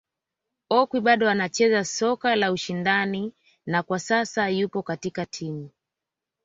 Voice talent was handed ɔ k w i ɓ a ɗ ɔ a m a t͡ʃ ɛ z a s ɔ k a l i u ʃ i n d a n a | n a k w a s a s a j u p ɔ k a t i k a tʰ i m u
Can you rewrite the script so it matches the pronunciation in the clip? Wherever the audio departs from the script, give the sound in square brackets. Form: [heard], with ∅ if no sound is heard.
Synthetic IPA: ɔ k w i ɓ a ɗ ɔ a [n] a t͡ʃ ɛ z a s ɔ k a l [a] u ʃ i n d a n [i] | n a k w a s a s a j u p ɔ k a t i k a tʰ i m u